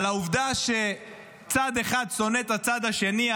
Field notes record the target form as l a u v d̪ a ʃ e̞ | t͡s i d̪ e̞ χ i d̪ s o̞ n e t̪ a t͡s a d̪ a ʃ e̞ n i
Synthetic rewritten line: l a u v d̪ a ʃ e̞ | t͡s a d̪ e̞ χ a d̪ s o̞ n e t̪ a t͡s a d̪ a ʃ e̞ n i